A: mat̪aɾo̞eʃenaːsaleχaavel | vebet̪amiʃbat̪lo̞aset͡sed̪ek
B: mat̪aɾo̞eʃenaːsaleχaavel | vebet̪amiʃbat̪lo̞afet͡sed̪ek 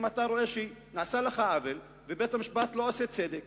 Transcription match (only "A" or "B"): A